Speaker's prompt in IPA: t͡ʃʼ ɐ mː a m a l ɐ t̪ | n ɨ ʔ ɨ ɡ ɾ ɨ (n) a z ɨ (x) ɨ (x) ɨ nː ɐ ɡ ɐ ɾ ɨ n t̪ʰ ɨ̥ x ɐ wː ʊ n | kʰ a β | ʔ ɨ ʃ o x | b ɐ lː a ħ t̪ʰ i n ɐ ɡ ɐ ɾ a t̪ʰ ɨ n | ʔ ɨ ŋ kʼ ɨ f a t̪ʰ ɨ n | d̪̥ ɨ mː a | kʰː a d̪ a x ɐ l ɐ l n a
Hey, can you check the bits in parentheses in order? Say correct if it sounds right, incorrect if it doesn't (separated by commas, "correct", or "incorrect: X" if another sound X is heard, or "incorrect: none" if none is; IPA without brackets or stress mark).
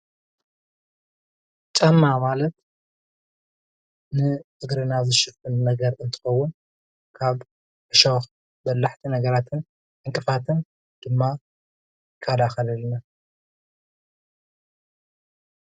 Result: correct, incorrect: ʃ, incorrect: f